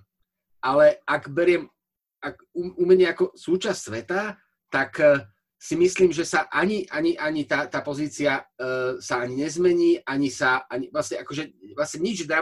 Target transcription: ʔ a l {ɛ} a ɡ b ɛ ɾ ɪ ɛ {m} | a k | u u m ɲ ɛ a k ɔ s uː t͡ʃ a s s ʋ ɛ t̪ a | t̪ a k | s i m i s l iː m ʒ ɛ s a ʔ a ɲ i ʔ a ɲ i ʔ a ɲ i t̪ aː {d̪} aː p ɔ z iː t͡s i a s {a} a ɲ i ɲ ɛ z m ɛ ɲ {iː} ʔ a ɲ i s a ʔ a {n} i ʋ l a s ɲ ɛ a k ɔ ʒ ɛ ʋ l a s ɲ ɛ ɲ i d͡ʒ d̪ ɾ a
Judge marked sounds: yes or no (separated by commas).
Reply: yes, yes, no, yes, yes, no